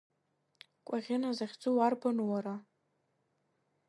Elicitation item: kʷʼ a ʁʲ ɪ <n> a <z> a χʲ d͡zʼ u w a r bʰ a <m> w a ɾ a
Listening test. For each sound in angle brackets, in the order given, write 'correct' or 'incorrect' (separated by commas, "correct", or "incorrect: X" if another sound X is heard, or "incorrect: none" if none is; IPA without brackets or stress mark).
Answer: correct, correct, incorrect: n